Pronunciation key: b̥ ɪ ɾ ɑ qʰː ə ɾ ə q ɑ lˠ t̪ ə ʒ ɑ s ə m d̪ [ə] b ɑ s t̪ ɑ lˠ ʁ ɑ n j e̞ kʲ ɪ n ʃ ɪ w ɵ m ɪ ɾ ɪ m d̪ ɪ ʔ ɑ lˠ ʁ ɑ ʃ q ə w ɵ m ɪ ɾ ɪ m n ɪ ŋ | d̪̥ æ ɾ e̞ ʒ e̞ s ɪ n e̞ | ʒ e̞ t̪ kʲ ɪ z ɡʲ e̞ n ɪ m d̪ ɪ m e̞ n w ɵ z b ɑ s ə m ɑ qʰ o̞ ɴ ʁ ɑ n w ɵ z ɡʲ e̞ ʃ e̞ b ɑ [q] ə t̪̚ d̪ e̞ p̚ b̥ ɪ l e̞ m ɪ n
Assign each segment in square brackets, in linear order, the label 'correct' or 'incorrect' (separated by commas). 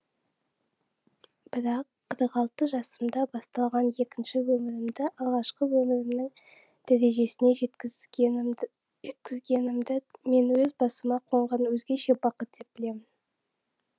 incorrect, correct